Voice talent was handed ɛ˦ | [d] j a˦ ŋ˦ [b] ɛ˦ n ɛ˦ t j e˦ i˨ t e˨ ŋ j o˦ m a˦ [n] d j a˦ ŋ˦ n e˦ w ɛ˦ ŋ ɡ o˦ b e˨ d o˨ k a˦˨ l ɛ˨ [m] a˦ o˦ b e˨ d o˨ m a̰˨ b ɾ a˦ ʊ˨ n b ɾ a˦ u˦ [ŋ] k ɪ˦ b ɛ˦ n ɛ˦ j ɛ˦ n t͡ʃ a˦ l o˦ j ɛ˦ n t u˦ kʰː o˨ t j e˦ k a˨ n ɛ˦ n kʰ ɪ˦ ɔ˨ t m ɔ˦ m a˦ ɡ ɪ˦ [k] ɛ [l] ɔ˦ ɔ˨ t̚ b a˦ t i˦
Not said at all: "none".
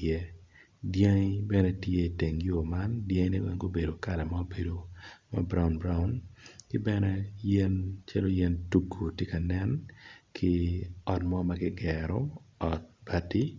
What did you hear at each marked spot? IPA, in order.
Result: d, b, n, m, n, ɡ, ɾ

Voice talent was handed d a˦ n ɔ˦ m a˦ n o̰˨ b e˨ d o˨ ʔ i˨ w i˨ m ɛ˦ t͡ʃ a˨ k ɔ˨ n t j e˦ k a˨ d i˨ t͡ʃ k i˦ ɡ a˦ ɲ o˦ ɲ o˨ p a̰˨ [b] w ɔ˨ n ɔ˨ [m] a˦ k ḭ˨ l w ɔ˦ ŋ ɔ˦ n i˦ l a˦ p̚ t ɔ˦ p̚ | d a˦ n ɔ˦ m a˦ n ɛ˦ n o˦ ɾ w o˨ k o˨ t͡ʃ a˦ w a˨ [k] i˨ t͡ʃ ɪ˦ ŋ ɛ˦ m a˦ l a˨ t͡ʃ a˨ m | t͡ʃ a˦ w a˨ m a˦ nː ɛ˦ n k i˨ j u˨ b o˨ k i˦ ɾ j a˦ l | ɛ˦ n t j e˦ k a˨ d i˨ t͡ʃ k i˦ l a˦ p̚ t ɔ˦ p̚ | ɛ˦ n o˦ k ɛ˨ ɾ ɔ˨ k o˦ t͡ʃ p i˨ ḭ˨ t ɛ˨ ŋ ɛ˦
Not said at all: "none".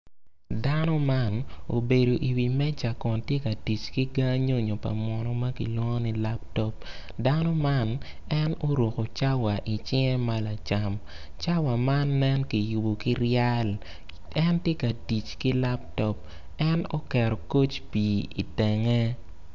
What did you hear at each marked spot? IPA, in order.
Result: m, m, ʔ

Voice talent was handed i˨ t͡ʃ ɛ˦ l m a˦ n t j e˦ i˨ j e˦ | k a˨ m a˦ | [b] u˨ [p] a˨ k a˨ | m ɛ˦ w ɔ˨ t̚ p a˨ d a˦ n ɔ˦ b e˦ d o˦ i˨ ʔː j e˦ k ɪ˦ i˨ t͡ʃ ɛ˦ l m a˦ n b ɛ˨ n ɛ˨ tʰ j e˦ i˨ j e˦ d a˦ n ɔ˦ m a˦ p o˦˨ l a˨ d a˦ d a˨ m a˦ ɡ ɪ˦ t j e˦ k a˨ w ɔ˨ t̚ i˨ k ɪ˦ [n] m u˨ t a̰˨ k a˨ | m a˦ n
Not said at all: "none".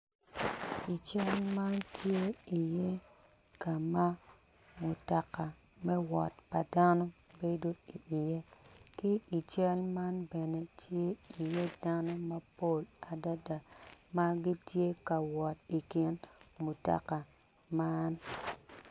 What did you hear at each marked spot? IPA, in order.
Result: m, t, n

